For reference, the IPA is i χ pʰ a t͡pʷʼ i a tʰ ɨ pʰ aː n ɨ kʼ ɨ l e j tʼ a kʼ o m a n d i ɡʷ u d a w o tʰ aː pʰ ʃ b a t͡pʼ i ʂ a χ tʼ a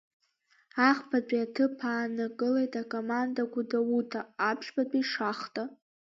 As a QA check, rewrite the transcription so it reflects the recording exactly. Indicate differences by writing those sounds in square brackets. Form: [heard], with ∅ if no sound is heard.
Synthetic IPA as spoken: [a] χ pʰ a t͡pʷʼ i a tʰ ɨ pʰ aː n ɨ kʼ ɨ l e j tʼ a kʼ o m a n d [a] ɡʷ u d a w [u] tʰ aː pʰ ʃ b a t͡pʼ i ʂ a χ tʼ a